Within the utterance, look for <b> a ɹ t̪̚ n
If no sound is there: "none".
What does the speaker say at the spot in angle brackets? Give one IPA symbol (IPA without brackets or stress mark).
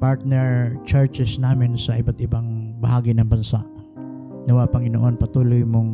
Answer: p